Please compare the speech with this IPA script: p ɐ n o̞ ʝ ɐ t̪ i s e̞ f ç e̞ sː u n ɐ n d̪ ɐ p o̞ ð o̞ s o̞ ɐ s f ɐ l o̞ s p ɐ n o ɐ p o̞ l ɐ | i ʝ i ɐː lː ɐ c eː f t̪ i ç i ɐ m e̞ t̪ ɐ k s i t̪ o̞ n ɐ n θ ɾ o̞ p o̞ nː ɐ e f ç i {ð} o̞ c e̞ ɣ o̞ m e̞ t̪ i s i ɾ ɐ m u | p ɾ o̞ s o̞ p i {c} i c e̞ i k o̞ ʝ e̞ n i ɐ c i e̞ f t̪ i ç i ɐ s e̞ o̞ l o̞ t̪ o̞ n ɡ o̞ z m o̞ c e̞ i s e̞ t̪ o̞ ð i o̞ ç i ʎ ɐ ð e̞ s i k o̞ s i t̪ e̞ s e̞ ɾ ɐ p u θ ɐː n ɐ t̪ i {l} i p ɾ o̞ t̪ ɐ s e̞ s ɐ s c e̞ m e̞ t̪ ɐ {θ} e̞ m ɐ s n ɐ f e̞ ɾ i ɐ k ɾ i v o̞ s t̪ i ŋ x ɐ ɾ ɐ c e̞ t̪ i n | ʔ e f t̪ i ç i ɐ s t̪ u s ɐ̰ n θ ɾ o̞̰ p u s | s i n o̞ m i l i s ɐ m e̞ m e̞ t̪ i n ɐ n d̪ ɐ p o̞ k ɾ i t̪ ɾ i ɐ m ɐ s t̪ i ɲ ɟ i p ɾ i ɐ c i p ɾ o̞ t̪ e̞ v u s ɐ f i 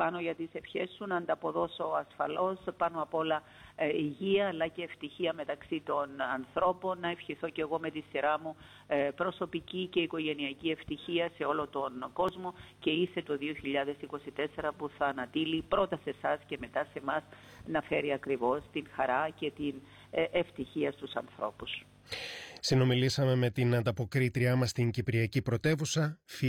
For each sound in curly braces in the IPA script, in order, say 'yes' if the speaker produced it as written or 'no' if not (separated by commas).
no, yes, yes, no